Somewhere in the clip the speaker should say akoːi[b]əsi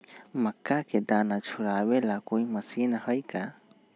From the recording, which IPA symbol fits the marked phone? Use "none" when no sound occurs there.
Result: m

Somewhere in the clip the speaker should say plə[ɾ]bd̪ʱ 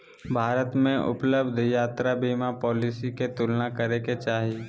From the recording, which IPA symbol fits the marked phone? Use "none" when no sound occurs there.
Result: none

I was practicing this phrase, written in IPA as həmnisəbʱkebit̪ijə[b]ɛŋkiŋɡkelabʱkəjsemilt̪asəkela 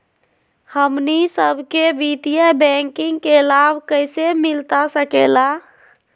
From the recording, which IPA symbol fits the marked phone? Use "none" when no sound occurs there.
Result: b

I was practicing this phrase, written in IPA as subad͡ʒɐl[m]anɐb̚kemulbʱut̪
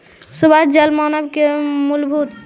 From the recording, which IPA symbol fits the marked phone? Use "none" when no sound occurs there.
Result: m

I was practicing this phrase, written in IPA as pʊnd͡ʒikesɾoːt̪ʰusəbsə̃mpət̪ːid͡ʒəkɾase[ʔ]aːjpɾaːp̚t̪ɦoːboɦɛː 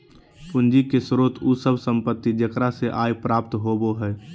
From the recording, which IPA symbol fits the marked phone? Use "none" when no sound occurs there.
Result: ʔ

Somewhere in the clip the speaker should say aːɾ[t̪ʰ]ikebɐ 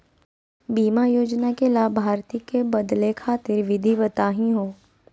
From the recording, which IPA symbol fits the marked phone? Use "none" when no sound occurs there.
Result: t̪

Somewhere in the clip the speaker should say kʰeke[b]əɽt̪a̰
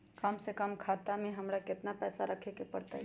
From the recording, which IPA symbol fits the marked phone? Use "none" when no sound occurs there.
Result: p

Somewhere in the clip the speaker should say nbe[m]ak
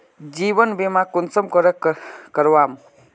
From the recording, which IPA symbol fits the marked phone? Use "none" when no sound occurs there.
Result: m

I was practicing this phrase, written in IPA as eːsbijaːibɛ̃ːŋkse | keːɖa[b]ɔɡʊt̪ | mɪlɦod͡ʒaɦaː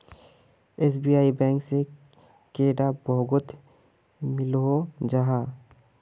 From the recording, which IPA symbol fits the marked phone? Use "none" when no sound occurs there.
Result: b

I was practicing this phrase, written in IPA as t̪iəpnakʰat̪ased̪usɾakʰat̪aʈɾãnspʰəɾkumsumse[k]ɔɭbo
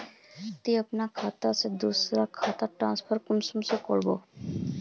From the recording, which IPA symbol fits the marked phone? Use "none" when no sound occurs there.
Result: k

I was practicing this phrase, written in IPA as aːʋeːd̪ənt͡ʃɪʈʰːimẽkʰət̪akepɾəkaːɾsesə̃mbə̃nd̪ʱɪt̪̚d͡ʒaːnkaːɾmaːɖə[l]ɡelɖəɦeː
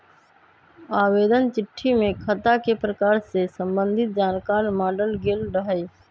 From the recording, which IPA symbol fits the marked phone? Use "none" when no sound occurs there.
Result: l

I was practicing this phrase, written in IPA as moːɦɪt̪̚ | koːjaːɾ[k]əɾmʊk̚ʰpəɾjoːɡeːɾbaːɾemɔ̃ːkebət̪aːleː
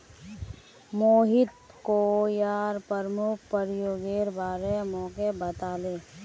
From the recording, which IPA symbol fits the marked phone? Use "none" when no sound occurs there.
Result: p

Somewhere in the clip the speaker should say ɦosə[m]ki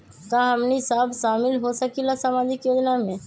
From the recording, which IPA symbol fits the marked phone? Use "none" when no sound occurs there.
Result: none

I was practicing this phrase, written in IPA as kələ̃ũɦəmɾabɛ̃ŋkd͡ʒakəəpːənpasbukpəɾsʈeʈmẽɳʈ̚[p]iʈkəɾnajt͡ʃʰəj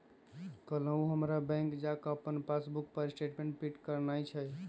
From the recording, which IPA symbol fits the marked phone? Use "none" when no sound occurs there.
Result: p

